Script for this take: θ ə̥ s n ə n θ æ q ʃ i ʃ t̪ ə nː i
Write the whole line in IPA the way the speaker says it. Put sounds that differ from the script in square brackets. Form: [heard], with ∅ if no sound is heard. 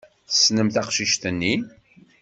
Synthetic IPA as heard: θ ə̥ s n ə [m] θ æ q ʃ i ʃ t̪ ə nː i